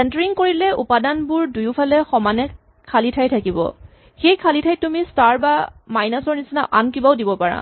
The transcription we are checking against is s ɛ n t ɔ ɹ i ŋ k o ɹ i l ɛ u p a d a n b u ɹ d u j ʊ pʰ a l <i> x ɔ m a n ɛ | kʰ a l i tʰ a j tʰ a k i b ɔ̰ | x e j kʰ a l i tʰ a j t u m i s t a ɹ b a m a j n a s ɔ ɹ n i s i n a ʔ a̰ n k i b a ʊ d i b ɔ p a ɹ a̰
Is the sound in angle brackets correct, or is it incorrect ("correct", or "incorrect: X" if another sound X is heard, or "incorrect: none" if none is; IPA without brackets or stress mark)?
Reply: incorrect: ɛ